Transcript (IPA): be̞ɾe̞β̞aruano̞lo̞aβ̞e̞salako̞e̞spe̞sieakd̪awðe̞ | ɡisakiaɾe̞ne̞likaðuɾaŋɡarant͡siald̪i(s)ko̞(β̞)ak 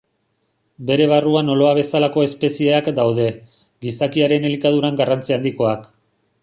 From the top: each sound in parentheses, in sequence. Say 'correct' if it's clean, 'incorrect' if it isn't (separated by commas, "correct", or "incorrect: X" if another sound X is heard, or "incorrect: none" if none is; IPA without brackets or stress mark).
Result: incorrect: none, incorrect: none